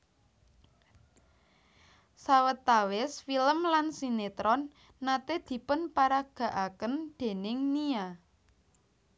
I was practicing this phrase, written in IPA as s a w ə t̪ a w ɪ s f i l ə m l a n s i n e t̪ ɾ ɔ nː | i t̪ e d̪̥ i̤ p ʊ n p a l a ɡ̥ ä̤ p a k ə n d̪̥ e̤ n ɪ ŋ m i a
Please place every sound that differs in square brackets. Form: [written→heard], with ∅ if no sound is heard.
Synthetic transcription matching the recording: s a w ə t̪ a w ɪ s f i l ə m l a n s i n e t̪ ɾ ɔ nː | [i→a] t̪ e d̪̥ i̤ p ʊ n p a [l→ɾ] a ɡ̥ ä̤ [p→ʔ] a k ə n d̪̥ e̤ n ɪ ŋ [m→n] i a